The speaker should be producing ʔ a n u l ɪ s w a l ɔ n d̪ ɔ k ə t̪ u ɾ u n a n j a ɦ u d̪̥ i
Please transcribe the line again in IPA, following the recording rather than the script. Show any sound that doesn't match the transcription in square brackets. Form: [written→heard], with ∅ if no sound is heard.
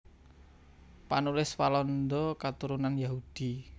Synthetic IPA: [ʔ→p] a n u l ɪ s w a l ɔ n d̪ ɔ k [ə→a] t̪ u ɾ u n a n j a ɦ u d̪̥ i

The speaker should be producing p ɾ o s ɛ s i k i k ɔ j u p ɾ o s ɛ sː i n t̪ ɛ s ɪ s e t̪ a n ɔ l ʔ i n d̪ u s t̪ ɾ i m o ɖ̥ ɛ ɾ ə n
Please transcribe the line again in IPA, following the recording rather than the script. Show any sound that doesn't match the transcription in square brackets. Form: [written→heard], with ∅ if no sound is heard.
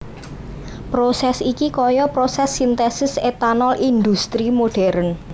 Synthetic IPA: p ɾ o s ɛ s i k i k ɔ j [u→ɔ] p ɾ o s ɛ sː i n t̪ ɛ s ɪ s e t̪ a n ɔ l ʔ i n d̪ u s t̪ ɾ i m o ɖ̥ ɛ ɾ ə n

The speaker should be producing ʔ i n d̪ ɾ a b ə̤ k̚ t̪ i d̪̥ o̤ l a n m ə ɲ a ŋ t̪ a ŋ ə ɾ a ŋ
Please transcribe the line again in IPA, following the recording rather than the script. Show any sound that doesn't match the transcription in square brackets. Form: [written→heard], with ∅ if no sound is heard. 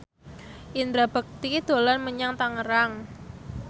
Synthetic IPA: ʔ i n d̪ ɾ a b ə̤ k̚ t̪ i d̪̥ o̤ l a n m ə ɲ a ŋ t̪ a ŋ ə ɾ a ŋ

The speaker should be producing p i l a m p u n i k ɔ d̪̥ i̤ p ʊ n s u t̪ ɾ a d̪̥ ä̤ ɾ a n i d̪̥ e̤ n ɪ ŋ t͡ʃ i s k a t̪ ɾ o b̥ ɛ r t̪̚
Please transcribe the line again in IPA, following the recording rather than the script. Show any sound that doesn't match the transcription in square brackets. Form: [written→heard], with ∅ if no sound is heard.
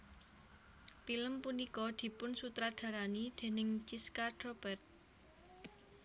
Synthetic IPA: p i l [a→ə] m p u n i k ɔ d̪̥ i̤ p ʊ n s u t̪ ɾ a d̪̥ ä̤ ɾ a n i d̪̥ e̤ n ɪ ŋ t͡ʃ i s k a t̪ ɾ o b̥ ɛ r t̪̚

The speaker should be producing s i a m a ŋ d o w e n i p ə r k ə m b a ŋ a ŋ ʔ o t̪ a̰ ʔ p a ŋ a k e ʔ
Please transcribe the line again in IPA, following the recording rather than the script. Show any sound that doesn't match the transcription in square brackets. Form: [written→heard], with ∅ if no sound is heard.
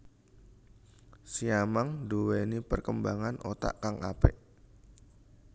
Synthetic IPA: s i a m a ŋ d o w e n i p ə r k ə m b a ŋ a [ŋ→n] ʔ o t̪ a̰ ʔ [p→k] a ŋ a [k→p] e ʔ

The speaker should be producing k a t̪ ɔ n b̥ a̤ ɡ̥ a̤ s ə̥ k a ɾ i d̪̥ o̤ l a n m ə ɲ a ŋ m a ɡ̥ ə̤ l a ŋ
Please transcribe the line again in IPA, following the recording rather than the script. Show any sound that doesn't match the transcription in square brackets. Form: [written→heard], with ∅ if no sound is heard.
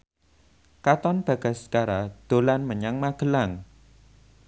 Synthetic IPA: k a t̪ ɔ n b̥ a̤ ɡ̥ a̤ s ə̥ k a ɾ [i→a] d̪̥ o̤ l a n m ə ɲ a ŋ m a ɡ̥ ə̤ l a ŋ

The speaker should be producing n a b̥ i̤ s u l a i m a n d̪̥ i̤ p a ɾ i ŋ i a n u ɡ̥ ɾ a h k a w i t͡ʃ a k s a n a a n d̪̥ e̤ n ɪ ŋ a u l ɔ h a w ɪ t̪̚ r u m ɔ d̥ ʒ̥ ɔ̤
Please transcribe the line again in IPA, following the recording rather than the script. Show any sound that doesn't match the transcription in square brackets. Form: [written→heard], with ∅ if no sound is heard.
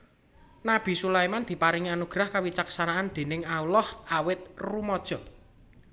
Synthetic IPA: n a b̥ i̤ s u l a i m a n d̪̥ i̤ p a ɾ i ŋ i a n u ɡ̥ ɾ a h k a w i t͡ʃ a k s a n a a n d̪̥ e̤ n ɪ ŋ a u l ɔ h a w ɪ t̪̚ r u m ɔ d̥ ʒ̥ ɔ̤

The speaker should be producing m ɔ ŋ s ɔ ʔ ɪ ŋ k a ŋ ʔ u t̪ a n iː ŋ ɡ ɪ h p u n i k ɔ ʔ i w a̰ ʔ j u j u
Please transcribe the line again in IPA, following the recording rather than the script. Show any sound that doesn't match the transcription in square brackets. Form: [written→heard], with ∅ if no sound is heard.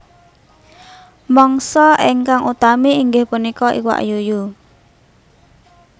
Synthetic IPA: m ɔ ŋ s ɔ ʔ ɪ ŋ k a ŋ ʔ u t̪ a [n→m] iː ŋ ɡ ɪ h p u n i k ɔ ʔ i w a̰ ʔ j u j u

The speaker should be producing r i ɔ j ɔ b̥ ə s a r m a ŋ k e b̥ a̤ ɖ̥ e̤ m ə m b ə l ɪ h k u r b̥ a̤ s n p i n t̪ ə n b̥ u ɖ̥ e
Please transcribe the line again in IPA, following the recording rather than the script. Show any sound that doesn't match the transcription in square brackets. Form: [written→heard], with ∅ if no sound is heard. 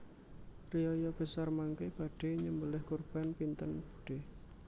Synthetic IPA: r i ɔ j ɔ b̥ ə s a r m a ŋ k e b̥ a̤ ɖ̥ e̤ [m→ɲ] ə m b ə l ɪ h k u r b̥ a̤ [s→∅] n p i n t̪ ə n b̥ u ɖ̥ e

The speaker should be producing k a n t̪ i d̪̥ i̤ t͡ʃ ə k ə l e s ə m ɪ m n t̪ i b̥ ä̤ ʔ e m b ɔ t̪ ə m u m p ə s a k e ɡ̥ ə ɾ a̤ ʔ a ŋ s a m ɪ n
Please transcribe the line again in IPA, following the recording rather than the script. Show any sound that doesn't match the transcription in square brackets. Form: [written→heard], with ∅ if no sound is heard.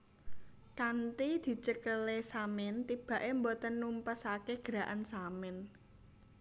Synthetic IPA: k a n t̪ i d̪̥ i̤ t͡ʃ ə k ə l e s [ə→a] m ɪ [m→∅] n t̪ i b̥ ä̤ ʔ e m b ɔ t̪ ə [m→n] u m p ə s a k e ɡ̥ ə ɾ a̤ ʔ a [ŋ→n] s a m ɪ n

